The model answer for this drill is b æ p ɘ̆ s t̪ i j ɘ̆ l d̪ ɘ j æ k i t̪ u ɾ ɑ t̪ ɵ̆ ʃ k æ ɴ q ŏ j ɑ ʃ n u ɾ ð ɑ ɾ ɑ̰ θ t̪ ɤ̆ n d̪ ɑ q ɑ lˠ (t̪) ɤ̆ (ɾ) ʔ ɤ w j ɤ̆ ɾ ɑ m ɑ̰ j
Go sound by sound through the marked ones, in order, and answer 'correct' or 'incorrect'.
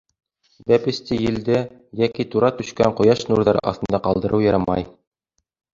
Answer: incorrect: d̪, correct

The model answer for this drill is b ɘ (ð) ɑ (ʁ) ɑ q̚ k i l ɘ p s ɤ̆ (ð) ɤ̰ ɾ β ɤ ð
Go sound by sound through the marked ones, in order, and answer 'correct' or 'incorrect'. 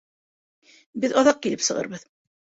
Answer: correct, incorrect: ð, incorrect: ʁ

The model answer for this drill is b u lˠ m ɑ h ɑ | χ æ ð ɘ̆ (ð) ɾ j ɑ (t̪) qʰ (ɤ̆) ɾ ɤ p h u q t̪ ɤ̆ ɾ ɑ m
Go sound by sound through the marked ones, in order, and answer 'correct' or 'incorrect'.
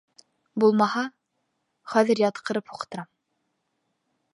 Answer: incorrect: none, correct, correct

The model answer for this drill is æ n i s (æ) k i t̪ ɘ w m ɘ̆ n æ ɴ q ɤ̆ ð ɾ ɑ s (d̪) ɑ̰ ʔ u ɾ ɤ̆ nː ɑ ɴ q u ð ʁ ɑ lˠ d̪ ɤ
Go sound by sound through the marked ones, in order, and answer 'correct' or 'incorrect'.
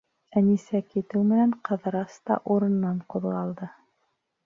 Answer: correct, incorrect: t̪

